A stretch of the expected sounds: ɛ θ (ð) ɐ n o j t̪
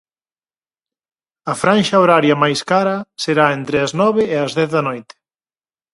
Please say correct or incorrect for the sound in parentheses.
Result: correct